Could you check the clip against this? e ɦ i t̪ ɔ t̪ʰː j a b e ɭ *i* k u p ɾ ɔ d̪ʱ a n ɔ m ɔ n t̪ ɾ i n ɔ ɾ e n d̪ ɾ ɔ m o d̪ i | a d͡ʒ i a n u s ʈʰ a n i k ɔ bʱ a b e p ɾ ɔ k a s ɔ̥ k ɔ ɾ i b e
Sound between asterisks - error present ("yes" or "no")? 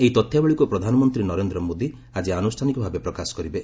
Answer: no